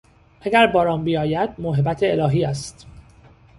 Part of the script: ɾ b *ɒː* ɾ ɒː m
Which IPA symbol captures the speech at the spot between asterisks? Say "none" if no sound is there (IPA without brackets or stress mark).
ɒː